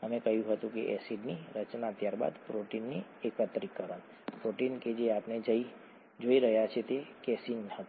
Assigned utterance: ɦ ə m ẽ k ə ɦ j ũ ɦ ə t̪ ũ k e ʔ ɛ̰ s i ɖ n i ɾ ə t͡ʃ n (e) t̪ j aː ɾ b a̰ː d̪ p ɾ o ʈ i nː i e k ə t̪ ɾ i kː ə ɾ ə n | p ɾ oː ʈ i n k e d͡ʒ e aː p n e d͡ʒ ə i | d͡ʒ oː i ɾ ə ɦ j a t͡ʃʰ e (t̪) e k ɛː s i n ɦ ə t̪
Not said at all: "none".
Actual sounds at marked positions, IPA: a, t̪

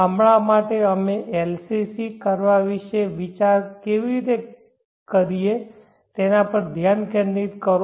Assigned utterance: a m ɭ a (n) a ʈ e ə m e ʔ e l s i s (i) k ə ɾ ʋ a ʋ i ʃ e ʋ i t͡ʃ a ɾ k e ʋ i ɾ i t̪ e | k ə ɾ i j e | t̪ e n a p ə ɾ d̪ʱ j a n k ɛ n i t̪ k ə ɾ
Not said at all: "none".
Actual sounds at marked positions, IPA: m, i

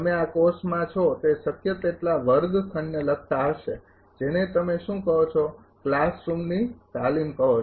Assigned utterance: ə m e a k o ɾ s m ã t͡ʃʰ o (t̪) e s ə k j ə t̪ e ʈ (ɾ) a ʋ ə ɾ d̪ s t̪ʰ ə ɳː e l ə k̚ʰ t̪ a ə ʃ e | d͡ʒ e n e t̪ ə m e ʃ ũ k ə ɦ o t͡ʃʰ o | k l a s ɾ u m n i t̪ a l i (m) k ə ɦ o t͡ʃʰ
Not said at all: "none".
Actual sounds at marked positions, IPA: t̪, l, m

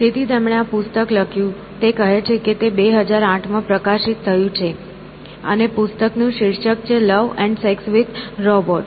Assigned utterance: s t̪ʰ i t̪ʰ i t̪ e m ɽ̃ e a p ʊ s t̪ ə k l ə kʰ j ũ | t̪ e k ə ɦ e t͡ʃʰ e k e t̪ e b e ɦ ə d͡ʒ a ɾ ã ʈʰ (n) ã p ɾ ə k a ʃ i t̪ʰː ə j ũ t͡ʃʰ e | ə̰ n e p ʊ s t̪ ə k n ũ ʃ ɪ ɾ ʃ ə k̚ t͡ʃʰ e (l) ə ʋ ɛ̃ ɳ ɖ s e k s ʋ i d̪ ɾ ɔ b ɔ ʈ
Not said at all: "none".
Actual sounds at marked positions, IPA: m, l

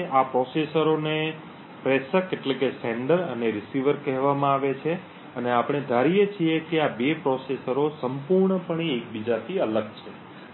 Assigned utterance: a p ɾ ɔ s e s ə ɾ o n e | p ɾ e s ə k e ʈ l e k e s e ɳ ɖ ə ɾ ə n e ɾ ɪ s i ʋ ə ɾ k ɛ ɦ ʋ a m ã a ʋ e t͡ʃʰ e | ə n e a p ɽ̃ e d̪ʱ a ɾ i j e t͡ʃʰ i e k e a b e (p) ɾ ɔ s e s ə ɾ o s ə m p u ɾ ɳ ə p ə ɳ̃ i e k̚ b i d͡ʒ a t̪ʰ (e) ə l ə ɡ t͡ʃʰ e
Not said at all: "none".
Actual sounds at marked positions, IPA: p, i

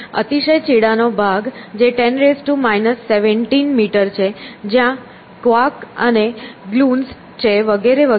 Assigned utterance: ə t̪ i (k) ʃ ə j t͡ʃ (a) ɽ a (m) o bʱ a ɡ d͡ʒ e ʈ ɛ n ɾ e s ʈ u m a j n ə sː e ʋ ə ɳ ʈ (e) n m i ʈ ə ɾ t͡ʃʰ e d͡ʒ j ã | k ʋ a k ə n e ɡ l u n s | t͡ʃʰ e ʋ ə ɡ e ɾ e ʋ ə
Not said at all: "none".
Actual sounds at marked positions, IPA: none, i, n, i

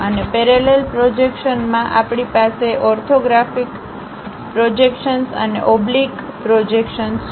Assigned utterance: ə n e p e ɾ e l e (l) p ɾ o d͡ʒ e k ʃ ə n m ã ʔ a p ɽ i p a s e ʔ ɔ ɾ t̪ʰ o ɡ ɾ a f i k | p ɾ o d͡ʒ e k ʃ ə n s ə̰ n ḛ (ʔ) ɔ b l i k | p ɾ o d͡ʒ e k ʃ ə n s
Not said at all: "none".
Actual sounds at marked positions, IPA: l, ʔ

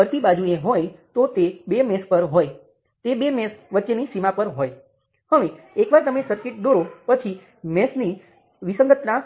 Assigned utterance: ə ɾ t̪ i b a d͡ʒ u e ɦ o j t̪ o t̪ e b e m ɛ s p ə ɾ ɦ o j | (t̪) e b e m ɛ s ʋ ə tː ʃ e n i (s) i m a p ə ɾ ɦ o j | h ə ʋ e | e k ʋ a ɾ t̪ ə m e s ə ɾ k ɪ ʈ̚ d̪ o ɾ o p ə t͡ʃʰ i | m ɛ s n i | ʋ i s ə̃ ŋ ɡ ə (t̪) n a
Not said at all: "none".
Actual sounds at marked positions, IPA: t̪, s, t̪

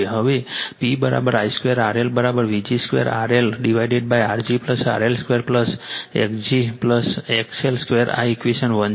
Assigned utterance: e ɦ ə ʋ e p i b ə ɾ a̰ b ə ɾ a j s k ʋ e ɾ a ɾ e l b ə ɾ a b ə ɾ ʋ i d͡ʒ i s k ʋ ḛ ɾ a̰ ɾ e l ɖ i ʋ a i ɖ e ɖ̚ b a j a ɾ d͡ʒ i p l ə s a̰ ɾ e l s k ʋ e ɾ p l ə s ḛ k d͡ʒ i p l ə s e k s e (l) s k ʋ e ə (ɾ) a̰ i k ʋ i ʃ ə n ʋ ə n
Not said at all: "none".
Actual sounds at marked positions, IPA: l, ɾ

